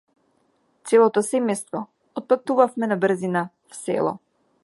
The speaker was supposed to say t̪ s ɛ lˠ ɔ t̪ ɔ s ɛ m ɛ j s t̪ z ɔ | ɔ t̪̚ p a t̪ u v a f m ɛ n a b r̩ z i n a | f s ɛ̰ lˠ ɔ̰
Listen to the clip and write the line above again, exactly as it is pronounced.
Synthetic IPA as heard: t̪ s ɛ lˠ ɔ t̪ ɔ s ɛ m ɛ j s t̪ v ɔ | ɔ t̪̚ p a t̪ u v a f m ɛ n a b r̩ z i n a | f s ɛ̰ lˠ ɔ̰

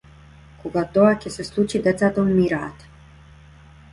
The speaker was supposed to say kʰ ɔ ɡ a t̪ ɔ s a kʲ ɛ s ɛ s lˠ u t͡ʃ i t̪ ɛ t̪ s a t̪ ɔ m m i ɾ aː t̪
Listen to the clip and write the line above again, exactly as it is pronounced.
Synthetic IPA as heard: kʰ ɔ ɡ a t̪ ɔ a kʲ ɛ s ɛ s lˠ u t͡ʃ i d̪ ɛ t̪ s a t̪ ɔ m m i ɾ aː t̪

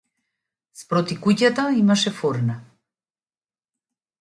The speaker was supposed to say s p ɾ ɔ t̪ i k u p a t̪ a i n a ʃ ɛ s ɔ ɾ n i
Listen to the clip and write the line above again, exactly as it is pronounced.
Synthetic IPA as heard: s p ɾ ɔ t̪ i k u c a t̪ a i m a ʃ ɛ f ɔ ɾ n a

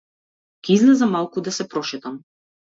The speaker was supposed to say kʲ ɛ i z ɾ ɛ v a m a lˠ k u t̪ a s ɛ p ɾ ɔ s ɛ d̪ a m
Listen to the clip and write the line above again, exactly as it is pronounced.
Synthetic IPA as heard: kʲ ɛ i z l ɛ z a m a lˠ k u d̪ a s ɛ p ɾ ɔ ʃ ɛ t̪ a m

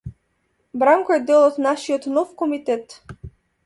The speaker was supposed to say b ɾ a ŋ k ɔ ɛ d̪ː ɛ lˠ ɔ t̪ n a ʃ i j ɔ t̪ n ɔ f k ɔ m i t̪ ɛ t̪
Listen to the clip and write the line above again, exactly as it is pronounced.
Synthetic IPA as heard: b ɾ a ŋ k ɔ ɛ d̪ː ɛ lˠ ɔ t̪ n a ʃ i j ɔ t̪ n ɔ f k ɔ m i t̪ ɛ t̪

